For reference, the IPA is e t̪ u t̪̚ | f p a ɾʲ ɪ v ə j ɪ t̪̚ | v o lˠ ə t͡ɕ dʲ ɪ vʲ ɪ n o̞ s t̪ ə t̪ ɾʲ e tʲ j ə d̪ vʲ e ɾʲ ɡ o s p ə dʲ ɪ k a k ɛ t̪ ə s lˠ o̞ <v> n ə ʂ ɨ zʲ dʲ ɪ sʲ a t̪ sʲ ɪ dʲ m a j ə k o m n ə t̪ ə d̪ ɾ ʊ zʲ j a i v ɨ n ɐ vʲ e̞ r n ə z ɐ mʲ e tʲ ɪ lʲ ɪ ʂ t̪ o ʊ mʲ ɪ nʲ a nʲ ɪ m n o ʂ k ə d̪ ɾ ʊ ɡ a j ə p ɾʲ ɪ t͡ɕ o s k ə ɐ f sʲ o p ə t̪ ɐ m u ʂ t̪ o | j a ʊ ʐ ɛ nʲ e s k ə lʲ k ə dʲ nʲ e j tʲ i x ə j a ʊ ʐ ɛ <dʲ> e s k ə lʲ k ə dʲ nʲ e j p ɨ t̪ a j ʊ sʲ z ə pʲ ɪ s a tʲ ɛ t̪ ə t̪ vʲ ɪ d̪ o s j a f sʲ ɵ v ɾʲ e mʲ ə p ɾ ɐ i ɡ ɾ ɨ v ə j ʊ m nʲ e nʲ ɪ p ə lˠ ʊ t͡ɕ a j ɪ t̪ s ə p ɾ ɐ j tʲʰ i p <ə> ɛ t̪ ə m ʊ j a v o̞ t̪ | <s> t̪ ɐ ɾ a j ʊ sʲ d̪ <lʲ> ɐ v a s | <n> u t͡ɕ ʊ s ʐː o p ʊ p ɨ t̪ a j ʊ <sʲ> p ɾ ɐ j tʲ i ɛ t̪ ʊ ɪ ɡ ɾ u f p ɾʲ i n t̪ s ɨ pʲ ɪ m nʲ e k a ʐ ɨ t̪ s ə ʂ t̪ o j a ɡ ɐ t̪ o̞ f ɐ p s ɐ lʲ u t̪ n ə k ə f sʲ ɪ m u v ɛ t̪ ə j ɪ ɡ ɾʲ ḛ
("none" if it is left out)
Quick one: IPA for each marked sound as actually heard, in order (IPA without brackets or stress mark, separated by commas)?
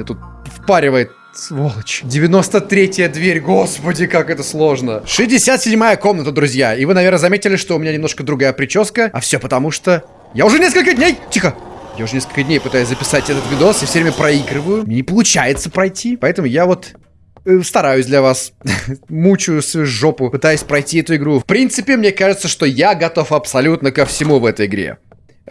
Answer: ʐ, nʲ, ɐ, s, lʲ, m, sʲ